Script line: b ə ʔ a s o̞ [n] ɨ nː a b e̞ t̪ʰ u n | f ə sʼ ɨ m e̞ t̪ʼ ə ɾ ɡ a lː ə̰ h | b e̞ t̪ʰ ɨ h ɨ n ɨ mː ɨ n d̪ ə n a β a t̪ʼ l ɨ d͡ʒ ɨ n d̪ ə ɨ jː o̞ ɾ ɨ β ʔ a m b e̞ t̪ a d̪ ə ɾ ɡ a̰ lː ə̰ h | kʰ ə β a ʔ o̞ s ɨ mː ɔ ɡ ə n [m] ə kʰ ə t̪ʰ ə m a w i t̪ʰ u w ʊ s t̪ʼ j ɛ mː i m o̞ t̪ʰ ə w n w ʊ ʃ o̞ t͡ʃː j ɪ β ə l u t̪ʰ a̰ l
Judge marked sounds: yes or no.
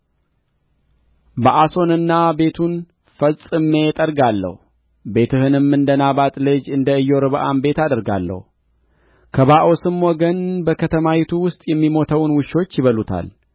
yes, no

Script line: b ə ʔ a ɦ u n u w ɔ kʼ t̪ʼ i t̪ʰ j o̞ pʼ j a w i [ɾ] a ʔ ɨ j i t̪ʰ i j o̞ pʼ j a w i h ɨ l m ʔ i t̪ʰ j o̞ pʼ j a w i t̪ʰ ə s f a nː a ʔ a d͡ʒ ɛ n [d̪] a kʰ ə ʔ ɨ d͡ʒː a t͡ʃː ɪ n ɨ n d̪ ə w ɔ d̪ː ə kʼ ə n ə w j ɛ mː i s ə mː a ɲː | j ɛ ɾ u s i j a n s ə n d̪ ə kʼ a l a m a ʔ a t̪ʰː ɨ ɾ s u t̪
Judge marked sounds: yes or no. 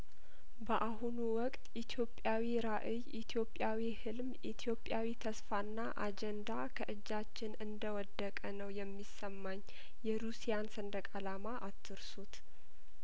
yes, yes

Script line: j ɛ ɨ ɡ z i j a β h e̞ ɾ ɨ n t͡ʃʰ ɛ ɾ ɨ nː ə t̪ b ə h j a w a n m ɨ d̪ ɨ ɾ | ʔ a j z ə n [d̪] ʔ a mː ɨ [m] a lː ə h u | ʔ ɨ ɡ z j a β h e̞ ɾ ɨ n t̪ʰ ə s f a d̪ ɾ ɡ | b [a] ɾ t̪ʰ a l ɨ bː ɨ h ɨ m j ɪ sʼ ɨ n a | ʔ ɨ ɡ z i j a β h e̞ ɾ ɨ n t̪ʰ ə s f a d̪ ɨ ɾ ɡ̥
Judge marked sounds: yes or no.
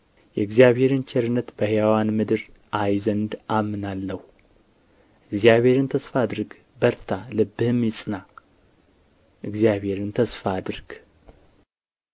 yes, no, no

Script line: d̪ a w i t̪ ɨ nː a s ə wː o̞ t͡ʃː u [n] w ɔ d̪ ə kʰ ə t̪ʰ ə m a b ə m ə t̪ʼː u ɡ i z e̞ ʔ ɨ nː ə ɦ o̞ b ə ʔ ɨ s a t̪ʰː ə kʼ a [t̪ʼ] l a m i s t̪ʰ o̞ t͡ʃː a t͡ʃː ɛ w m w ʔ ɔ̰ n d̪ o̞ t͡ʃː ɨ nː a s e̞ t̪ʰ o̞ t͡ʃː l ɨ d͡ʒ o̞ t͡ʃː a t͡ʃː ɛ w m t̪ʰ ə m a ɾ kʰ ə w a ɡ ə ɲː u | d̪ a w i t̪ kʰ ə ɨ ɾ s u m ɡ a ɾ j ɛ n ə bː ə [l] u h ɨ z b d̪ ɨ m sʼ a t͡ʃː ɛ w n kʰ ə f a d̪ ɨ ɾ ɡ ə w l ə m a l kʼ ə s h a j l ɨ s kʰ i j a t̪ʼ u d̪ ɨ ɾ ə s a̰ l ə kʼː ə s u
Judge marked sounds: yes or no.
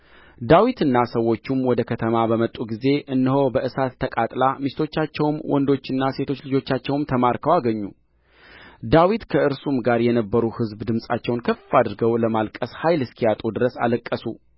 no, yes, no

